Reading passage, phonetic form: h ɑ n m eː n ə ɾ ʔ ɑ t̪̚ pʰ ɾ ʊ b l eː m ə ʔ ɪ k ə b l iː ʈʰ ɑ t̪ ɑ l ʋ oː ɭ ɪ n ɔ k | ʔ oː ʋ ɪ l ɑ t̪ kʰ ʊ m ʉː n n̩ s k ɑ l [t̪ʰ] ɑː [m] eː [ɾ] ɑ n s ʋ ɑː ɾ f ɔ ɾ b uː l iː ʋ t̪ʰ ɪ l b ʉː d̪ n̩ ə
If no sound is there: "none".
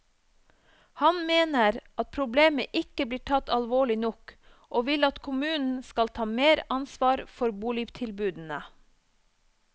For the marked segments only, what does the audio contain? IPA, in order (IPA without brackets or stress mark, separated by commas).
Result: t̪ʰ, m, ɾ